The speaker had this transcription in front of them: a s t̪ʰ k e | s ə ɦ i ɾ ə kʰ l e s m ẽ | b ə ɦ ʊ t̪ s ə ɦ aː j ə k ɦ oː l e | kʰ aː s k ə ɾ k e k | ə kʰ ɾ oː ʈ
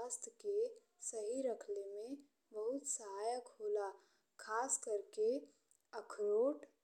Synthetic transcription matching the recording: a s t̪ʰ k e | s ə ɦ i ɾ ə kʰ l e m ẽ | b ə ɦ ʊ t̪ s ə ɦ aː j ə k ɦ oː l a | kʰ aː s k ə ɾ k e | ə kʰ ɾ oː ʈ